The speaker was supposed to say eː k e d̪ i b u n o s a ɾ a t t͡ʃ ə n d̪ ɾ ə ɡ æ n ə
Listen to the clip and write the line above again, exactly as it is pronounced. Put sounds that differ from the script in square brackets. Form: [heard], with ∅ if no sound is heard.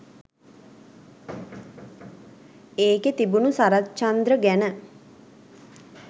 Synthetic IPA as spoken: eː k e [t̪] i b u n [u] s a ɾ a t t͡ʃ [a] n d̪ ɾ ə ɡ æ n ə